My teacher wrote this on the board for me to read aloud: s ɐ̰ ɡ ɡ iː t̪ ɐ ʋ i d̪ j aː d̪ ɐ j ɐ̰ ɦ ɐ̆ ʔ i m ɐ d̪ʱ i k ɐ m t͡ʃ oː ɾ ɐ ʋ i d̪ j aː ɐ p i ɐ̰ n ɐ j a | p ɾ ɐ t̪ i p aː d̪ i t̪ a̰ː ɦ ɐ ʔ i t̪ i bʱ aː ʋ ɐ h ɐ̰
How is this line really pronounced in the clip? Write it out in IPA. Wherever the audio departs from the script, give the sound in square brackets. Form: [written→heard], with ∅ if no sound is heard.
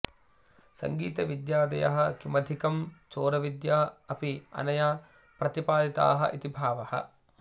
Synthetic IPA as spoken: s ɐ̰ [ɡ→ŋ] ɡ iː t̪ ɐ ʋ i d̪ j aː d̪ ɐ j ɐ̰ ɦ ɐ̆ [ʔ→k] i m ɐ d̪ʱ i k ɐ m t͡ʃ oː ɾ ɐ ʋ i d̪ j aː ɐ p i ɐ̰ n ɐ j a | p ɾ ɐ t̪ i p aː d̪ i t̪ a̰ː ɦ ɐ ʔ i t̪ i bʱ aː ʋ ɐ h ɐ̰